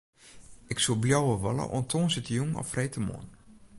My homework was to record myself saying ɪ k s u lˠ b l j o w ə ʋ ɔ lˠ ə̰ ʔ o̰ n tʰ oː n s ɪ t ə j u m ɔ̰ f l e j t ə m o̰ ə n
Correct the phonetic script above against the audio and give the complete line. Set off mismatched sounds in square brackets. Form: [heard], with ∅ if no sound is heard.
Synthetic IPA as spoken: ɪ k s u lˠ b l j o w ə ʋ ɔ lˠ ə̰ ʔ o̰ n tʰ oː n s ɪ t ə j u [ŋ] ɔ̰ f [r] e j t ə m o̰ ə n